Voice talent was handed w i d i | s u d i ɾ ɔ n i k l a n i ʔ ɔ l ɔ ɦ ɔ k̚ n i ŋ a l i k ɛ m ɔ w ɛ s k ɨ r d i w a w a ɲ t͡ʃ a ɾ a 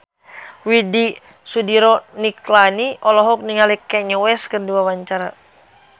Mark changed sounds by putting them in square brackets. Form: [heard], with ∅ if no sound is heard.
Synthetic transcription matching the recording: w i d i | s u d i ɾ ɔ n i k l a n i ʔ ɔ l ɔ ɦ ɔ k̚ n i ŋ a l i k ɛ [ɲ] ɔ w ɛ s k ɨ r d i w a w a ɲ t͡ʃ a ɾ a